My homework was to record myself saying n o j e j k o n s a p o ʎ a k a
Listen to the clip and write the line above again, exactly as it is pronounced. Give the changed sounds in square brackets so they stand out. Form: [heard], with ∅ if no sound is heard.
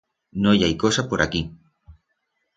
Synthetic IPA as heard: n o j [a] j k o [∅] s a p o [ɾ] a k [i]